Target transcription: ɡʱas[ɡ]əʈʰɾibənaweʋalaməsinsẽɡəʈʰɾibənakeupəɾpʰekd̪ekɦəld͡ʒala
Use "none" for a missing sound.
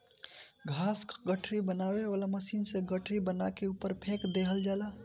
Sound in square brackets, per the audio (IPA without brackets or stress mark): ɡ